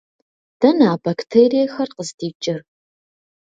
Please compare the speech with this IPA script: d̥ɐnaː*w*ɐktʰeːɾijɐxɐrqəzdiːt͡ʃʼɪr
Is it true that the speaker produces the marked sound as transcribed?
no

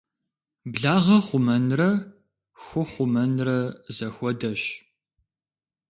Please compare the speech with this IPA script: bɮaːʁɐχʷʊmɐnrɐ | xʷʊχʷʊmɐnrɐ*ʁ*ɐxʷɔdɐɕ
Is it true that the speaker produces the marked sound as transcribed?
no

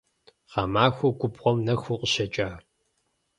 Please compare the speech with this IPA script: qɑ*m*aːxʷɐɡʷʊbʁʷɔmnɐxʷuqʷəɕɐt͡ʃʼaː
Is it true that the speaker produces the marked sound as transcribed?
yes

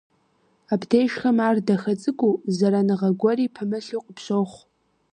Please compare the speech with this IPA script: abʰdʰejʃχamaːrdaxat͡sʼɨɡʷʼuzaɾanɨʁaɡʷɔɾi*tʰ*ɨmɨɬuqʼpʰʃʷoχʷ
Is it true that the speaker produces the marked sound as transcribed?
no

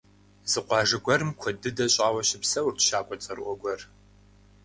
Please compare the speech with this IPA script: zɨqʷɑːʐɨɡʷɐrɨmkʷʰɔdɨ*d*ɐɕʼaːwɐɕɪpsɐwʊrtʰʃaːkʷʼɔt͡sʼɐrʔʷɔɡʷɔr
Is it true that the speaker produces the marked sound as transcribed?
yes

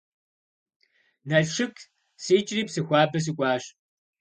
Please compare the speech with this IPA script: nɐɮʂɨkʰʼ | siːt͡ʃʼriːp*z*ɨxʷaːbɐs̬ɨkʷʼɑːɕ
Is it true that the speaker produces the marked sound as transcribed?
no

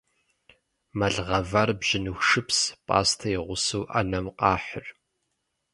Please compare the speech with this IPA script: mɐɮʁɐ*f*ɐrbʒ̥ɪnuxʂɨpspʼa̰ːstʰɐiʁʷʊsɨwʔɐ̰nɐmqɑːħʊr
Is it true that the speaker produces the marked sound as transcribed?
no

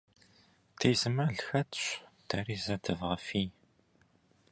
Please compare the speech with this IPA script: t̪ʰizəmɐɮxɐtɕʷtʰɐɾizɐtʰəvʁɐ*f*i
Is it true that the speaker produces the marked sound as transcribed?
yes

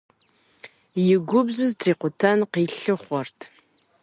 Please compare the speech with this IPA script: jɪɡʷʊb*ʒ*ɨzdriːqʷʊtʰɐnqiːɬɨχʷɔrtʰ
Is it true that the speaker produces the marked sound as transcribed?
no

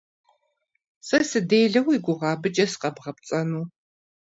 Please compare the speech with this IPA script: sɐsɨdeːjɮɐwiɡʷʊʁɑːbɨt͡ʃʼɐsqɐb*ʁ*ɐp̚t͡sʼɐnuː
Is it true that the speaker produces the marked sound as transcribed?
yes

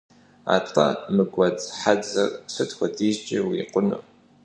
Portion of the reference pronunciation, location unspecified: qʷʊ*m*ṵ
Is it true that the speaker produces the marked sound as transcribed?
no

